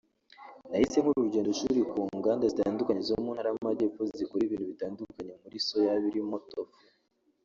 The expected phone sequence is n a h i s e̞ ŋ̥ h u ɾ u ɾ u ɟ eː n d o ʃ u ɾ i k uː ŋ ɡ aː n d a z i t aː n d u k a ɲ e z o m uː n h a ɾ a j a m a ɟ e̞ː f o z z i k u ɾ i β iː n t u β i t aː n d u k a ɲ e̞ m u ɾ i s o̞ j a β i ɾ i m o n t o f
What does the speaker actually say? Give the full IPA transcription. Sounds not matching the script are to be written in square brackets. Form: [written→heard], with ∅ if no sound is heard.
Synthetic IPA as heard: n a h i s e̞ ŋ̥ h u ɾ u ɾ u ɟ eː n d o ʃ u ɾ i k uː ŋ ɡ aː n d a z i t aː n d u k a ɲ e z o m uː n h a ɾ a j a m a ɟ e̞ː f o z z i k u ɾ i β iː n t u β i t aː n d u k a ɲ e̞ m u ɾ i s o̞ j a β i ɾ i m o [n→∅] t o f